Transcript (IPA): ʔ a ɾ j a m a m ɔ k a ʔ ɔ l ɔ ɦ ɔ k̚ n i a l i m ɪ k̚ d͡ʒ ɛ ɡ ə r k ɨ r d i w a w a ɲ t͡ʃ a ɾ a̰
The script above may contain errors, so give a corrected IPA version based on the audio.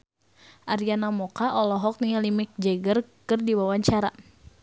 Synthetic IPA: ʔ a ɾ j a n a m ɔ k a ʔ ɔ l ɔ ɦ ɔ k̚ n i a l i m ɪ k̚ d͡ʒ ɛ ɡ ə r k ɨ r d i w a w a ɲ t͡ʃ a ɾ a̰